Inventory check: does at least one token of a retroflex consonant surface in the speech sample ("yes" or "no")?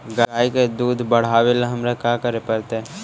yes